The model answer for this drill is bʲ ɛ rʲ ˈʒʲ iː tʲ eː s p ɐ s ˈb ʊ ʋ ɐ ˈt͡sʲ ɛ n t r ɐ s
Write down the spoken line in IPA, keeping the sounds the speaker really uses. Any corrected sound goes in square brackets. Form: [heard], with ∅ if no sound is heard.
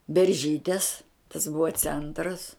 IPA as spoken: bʲ ɛ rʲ ˈʒʲ iː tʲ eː s [t] ɐ s ˈb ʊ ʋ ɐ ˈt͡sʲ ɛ n t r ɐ s